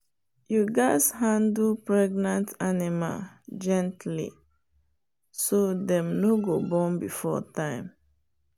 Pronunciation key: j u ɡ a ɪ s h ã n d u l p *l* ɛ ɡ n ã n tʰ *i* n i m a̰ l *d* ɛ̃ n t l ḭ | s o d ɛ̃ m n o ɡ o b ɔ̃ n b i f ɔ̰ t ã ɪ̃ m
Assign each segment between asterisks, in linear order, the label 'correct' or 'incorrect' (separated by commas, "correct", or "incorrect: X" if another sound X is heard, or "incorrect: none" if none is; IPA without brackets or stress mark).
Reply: incorrect: ɹ, incorrect: a, incorrect: d͡ʒ